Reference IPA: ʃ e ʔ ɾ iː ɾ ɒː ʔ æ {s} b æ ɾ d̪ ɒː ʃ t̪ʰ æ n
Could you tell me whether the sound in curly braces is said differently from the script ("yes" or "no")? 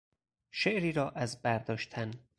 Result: yes